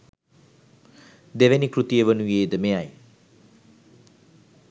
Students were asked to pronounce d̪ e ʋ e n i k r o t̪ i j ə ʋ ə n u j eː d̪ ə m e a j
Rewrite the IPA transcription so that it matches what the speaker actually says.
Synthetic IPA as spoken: d̪ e ʋ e n i k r u t̪ i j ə ʋ ə n u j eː d̪ ə m e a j